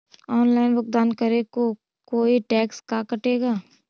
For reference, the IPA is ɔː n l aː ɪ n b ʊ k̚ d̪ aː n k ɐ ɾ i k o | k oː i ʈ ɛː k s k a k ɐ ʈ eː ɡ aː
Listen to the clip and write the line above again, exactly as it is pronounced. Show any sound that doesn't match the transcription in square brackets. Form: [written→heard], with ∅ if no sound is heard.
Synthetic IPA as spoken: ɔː n l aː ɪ n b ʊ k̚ d̪ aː n k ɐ ɾ [i→e] k o | k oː i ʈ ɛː k s k a k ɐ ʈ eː ɡ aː